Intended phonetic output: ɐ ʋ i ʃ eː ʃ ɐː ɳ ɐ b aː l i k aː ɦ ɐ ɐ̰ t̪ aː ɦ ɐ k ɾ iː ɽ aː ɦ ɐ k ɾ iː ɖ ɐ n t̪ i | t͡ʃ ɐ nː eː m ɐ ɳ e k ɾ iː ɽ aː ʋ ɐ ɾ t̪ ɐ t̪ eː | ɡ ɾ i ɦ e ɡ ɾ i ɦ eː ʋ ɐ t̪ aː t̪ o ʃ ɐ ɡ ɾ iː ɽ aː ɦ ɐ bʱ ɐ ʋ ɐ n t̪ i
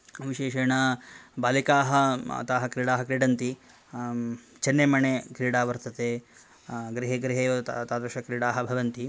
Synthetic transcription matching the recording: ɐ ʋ i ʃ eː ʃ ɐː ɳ ɐ b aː l i k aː ɦ ɐ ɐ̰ t̪ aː ɦ ɐ k ɾ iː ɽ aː ɦ ɐ k ɾ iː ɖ ɐ n t̪ i | t͡ʃ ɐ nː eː m ɐ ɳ e k ɾ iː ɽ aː ʋ ɐ ɾ t̪ ɐ t̪ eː | ɡ ɾ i ɦ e ɡ ɾ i ɦ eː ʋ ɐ t̪ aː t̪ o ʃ ɐ k ɾ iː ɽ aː ɦ ɐ bʱ ɐ ʋ ɐ n t̪ i

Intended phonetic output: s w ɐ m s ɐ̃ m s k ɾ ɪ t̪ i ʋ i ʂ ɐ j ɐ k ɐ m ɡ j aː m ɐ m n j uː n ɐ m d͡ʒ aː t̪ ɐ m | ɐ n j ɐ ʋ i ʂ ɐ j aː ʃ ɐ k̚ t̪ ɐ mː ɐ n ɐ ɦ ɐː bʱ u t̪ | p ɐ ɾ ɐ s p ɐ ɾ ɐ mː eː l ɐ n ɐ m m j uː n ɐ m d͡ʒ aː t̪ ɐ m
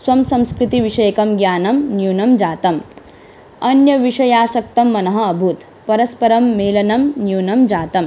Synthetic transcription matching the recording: s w ɐ m s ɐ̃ m s k ɾ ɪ t̪ i ʋ i ʂ ɐ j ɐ k ɐ m ɡ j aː n ɐ m n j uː n ɐ m d͡ʒ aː t̪ ɐ m | ɐ n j ɐ ʋ i ʂ ɐ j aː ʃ ɐ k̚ t̪ ɐ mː ɐ n ɐ ɦ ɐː bʱ u t̪ | p ɐ ɾ ɐ s p ɐ ɾ ɐ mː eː l ɐ n ɐ m n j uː n ɐ m d͡ʒ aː t̪ ɐ m

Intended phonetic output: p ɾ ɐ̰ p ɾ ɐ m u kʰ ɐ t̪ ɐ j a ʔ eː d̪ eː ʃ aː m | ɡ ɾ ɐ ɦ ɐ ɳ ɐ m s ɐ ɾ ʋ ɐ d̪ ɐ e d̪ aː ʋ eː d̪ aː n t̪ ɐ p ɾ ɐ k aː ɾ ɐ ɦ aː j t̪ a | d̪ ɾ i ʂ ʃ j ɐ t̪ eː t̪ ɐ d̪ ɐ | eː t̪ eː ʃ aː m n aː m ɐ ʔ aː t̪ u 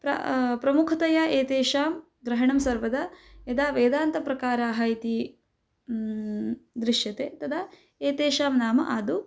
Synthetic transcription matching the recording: p ɾ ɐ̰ p ɾ ɐ m u kʰ ɐ t̪ ɐ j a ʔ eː t̪ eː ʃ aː m | ɡ ɾ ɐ ɦ ɐ ɳ ɐ m s ɐ ɾ ʋ ɐ d̪ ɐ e d̪ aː ʋ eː d̪ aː n t̪ ɐ p ɾ ɐ k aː ɾ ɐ ɦ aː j t̪ i | d̪ ɾ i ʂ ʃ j ɐ t̪ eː t̪ ɐ d̪ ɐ | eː t̪ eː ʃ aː m n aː m ɐ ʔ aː d̪ u

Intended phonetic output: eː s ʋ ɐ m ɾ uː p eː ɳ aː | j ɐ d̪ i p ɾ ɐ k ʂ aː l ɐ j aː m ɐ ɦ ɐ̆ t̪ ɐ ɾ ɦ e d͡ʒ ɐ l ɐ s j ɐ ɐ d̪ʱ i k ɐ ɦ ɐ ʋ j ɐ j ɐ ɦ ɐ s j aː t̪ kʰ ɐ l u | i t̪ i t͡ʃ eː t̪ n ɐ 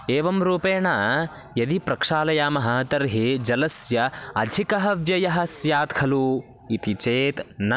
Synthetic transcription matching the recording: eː ʋ ɐ m ɾ uː p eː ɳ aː | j ɐ d̪ i p ɾ ɐ k ʂ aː l ɐ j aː m ɐ ɦ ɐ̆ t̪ ɐ ɾ ɦ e d͡ʒ ɐ l ɐ s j ɐ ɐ d̪ʱ i k ɐ ɦ ɐ ʋ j ɐ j ɐ ɦ ɐ s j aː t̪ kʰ ɐ l u | i t̪ i t͡ʃ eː t̪ n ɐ

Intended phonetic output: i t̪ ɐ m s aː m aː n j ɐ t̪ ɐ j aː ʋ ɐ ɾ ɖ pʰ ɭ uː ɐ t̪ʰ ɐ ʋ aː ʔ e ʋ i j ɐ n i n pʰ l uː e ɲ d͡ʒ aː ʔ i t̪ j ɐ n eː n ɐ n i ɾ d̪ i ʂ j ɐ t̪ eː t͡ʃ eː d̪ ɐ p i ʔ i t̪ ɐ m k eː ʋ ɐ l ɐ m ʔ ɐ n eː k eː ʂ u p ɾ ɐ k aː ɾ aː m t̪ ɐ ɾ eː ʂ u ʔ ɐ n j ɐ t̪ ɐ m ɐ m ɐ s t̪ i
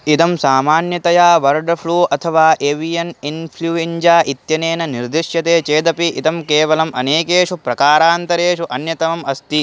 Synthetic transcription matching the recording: i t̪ ɐ m s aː m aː n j ɐ t̪ ɐ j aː ʋ ɐ ɾ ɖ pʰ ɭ uː ɐ t̪ʰ ɐ ʋ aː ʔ e ʋ i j ɐ n i n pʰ l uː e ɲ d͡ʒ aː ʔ i t̪ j ɐ n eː n ɐ n i ɾ d̪ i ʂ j ɐ t̪ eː t͡ʃ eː d̪ ɐ p i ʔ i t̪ ɐ m k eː ʋ ɐ l ɐ m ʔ ɐ n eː k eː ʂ u p ɾ ɐ k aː ɾ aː n t̪ ɐ ɾ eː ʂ u ʔ ɐ n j ɐ t̪ ɐ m ɐ m ɐ s t̪ i

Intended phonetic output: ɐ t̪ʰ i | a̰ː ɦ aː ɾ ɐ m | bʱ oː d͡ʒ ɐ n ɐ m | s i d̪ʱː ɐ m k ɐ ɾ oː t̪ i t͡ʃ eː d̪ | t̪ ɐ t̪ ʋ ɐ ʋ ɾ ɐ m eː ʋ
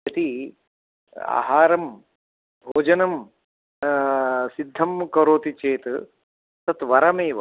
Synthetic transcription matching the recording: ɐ t̪ i | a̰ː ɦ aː ɾ ɐ m | bʱ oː d͡ʒ ɐ n ɐ m | s i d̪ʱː ɐ m k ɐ ɾ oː t̪ i t͡ʃ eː t̪ | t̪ ɐ t̪ ʋ ɐ ɾ ɐ m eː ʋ

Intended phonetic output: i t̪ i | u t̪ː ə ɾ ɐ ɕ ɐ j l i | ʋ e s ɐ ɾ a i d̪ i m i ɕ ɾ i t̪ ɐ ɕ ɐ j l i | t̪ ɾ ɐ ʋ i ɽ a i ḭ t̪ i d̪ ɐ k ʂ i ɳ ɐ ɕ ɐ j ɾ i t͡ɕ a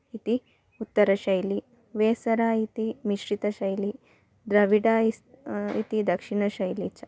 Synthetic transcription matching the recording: i t̪ i | u t̪ː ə ɾ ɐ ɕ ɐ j l i | ʋ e s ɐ ɾ a i t̪ i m i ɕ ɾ i t̪ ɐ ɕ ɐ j l i | d̪ ɾ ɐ ʋ i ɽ a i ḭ t̪ i d̪ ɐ k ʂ i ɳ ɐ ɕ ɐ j l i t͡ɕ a

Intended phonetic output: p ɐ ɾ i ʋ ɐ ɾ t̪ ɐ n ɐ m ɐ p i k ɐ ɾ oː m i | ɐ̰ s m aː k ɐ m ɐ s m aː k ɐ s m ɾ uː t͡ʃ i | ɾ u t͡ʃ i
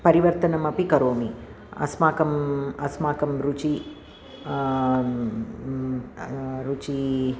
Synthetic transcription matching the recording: p ɐ ɾ i ʋ ɐ ɾ t̪ ɐ n ɐ m ɐ p i k ɐ ɾ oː m i | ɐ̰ s m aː k ɐ m ɐ s m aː k ɐ m ɾ u t͡ʃ i | ɾ u t͡ʃ i

